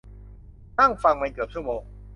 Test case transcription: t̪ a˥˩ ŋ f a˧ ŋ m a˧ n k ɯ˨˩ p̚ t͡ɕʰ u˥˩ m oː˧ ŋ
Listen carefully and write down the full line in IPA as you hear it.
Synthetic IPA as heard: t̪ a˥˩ ŋ f a˧ ŋ m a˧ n k ɯ˨˩ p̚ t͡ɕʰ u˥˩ m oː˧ ŋ

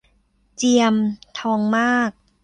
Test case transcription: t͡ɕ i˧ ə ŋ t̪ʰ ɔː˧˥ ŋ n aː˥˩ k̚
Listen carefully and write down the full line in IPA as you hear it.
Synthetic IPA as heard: t͡ɕ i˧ ə m t̪ʰ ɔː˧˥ ŋ m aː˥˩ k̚

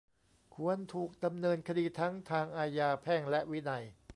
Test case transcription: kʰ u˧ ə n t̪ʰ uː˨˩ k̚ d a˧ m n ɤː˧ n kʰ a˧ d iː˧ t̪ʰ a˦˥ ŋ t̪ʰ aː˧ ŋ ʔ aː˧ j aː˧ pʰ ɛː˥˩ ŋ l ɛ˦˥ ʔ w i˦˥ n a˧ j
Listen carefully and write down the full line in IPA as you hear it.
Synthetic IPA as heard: kʰ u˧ ə n t̪ʰ uː˨˩ k̚ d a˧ m n ɤː˧ n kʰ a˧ d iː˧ t̪ʰ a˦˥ ŋ t̪ʰ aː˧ ŋ ʔ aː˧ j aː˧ pʰ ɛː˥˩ ŋ l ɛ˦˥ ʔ w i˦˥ n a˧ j

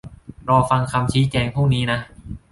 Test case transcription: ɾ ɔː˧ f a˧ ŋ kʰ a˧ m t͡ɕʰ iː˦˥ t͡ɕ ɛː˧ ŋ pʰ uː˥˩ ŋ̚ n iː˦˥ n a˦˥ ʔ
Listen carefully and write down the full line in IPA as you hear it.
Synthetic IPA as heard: ɾ ɔː˧ f a˧ ŋ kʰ a˧ m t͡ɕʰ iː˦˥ t͡ɕ ɛː˧ ŋ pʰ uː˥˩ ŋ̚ n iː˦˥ n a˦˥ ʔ

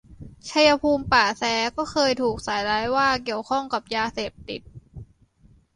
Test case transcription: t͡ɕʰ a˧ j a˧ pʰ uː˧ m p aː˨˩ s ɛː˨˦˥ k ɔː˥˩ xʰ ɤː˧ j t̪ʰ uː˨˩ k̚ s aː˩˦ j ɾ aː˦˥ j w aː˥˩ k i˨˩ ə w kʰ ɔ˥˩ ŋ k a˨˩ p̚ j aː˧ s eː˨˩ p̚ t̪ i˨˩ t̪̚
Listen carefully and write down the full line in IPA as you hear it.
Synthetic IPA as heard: t͡ɕʰ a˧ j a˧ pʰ uː˧ m p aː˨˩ s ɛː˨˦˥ k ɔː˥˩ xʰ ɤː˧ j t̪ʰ uː˨˩ k̚ s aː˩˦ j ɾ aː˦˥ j w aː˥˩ k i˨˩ ə w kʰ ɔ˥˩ ŋ k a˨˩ p̚ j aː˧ s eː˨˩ p̚ t̪ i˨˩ t̪̚

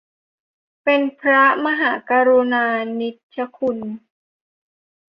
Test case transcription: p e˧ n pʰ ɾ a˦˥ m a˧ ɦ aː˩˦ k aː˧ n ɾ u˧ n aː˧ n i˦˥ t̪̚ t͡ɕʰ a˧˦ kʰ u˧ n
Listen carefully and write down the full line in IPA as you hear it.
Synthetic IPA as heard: p e˧ n pʰ ɾ a˦˥ m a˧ ɦ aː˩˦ k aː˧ ɾ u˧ n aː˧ n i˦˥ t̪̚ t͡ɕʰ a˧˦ kʰ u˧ n

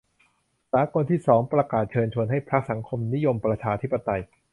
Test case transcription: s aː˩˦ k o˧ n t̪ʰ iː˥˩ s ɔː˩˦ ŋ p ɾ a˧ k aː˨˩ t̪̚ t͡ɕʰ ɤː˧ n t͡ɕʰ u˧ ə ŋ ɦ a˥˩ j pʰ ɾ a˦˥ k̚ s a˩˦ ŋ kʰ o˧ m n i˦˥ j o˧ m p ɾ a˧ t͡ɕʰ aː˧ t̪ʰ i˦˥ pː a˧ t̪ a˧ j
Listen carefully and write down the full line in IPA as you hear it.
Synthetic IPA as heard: s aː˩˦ k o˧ n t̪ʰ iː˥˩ s ɔː˩˦ ŋ p ɾ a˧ k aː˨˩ t̪̚ t͡ɕʰ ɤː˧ n t͡ɕʰ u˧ ə n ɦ a˥˩ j pʰ ɾ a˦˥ k̚ s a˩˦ ŋ kʰ o˧ m n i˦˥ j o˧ m p ɾ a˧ t͡ɕʰ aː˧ t̪ʰ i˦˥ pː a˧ t̪ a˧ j

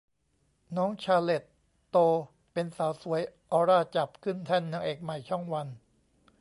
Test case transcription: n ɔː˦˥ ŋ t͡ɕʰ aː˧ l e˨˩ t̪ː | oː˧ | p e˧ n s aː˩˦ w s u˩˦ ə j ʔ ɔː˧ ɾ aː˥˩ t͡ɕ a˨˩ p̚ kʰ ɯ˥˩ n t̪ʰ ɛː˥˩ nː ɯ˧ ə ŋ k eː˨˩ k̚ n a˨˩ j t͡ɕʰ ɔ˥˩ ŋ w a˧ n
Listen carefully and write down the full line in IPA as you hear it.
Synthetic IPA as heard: n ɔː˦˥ ŋ t͡ɕʰ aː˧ l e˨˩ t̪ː | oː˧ | p e˧ n s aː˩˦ w s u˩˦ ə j ʔ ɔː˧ ɾ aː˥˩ t͡ɕ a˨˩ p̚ kʰ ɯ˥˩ n t̪ʰ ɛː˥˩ nː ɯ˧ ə ŋ ʔ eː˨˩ k̚ m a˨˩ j t͡ɕʰ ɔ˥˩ ŋ w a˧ n

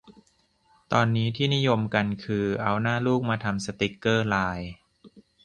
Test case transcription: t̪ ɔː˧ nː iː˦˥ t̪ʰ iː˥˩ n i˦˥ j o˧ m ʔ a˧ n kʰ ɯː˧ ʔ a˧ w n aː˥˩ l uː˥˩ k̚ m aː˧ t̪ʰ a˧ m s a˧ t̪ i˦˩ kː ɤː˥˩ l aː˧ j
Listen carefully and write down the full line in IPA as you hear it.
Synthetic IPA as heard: t̪ ɔː˧ nː iː˦˥ t̪ʰ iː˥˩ n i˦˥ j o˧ m k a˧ n kʰ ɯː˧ ʔ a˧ w n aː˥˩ l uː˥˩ k̚ m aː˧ t̪ʰ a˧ m s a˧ t̪ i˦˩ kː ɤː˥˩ l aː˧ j

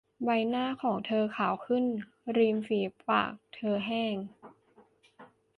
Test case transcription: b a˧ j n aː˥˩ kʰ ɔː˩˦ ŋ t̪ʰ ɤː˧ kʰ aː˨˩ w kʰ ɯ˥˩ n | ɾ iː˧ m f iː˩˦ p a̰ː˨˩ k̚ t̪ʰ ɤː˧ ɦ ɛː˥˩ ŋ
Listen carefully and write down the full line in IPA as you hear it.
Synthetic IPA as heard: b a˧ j n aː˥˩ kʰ ɔː˩˦ ŋ t̪ʰ ɤː˧ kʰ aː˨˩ w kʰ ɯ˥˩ n | ɾ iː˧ m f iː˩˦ p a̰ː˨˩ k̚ t̪ʰ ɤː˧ ɦ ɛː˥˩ ŋ

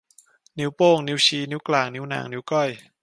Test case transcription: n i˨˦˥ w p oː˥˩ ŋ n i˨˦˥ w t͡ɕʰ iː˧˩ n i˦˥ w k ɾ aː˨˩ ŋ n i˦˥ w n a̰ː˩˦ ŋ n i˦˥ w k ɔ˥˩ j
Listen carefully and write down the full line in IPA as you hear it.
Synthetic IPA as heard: n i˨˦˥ w p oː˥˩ ŋ n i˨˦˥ w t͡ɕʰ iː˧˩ n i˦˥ w k l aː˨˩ ŋ n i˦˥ w n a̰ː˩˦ ŋ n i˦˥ w k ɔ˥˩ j

